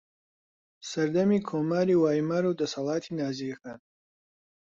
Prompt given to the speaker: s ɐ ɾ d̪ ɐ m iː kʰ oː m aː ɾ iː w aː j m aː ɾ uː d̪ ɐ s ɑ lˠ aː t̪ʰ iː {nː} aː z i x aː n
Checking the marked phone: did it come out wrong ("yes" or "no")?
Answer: yes